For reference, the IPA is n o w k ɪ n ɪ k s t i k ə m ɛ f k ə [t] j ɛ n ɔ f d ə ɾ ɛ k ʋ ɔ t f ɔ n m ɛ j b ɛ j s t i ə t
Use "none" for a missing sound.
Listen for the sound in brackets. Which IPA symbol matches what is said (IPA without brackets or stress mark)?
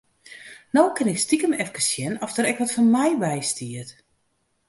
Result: s